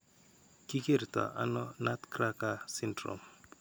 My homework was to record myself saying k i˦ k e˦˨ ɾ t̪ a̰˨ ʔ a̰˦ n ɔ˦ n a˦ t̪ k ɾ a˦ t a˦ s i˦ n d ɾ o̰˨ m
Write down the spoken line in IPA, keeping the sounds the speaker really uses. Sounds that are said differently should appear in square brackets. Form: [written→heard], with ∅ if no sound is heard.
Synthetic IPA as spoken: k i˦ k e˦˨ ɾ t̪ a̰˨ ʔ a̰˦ n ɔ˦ n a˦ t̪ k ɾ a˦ [t→k] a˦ s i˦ n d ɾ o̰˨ m